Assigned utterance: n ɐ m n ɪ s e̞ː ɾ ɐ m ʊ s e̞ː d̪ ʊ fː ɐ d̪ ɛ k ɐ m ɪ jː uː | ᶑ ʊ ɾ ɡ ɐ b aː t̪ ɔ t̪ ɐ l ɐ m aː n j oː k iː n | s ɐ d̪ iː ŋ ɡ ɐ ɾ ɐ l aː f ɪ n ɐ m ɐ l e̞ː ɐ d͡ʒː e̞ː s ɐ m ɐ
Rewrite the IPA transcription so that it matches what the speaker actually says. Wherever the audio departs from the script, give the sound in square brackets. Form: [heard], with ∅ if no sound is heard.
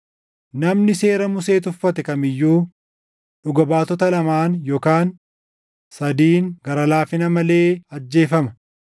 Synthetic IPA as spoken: n ɐ m n ɪ s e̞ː ɾ ɐ m ʊ s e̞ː [t̪] ʊ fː ɐ [t̪] ɛ k ɐ m ɪ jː uː | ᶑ ʊ [∅] ɡ ɐ b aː t̪ ɔ t̪ ɐ l ɐ m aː n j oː k [aː] n | s ɐ d̪ iː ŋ ɡ ɐ ɾ ɐ l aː f ɪ n ɐ m ɐ l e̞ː ɐ d͡ʒː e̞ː [f] ɐ m ɐ